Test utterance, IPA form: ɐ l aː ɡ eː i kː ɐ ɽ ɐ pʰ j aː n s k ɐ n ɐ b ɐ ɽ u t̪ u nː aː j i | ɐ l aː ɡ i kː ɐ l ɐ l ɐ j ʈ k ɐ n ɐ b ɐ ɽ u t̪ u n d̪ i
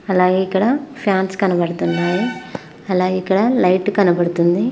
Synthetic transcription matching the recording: ɐ l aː ɡ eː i kː ɐ ɽ ɐ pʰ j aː n s k ɐ n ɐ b ɐ ɽ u t̪ u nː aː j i | ɐ l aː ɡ i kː ɐ ɽ ɐ l ɐ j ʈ k ɐ n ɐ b ɐ ɽ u t̪ u n d̪ i